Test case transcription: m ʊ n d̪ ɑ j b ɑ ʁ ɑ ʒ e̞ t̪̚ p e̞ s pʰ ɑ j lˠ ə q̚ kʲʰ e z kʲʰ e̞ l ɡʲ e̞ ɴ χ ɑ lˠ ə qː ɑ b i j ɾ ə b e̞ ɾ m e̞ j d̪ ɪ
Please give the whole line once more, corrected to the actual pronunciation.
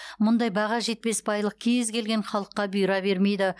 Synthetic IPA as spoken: m ʊ n d̪ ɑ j b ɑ ʁ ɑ ʒ e̞ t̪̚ p e̞ s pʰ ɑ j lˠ ə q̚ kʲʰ e z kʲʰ e̞ l ɡʲ e̞ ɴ χ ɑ lˠ ə qː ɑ b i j ɾ ɑ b e̞ ɾ m e̞ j d̪ ɪ

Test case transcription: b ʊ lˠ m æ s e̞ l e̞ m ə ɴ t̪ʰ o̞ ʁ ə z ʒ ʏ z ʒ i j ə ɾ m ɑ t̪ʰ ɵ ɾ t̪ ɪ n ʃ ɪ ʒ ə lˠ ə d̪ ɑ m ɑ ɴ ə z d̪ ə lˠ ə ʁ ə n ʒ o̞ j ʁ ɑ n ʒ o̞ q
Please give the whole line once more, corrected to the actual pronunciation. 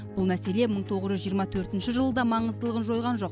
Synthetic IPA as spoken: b ʊ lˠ m æ s e̞ l e̞ m ə ɴ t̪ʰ o̞ ʁ ə z ʒ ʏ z ʒ i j ə ɾ m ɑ t̪ʰ ɵ ɾ t̪ ɪ n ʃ ɪ ʒ ə lˠ ə d̪ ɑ m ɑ ɴ ə z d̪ ə lˠ ə ʁ ə n ʒ o̞ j ʁ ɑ n ʒ o̞ q

